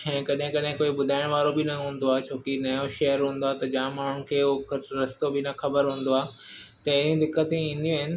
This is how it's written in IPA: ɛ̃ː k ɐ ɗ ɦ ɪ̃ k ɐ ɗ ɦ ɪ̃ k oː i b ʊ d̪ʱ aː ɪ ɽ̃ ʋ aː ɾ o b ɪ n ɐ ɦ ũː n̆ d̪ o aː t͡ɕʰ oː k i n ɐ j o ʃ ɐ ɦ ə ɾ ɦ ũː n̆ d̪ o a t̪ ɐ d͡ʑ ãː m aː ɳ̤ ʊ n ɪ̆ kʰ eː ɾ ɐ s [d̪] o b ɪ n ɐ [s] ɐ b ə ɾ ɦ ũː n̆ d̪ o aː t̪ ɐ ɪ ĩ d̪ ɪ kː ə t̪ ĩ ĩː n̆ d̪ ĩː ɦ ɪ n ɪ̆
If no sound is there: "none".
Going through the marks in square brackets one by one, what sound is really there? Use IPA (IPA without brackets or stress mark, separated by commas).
t̪, x